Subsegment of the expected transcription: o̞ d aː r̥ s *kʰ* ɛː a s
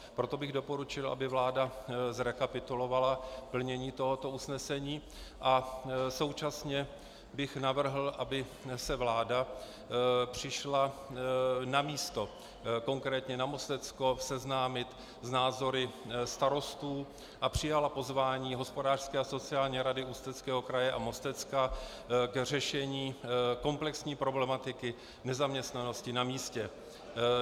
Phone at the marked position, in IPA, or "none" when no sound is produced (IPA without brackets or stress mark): k